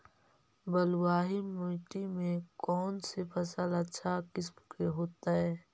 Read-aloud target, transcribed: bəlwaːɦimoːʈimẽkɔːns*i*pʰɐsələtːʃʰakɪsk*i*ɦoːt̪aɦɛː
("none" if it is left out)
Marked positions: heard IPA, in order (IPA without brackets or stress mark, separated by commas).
e, e